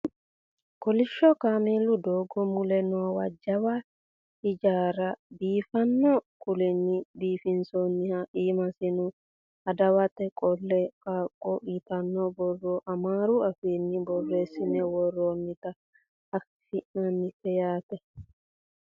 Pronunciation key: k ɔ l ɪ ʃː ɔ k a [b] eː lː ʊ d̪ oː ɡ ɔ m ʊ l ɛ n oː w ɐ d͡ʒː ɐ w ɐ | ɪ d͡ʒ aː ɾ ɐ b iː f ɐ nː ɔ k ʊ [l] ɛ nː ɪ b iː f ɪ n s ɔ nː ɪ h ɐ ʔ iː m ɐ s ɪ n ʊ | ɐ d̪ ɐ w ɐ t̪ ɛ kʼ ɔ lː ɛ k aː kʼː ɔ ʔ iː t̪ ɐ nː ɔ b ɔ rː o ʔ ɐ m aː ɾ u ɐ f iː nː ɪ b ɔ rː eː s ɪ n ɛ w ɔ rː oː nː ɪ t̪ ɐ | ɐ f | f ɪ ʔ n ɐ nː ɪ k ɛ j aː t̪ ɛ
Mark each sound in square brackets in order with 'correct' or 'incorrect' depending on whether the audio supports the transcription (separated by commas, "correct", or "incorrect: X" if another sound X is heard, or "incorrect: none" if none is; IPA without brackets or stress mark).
incorrect: m, correct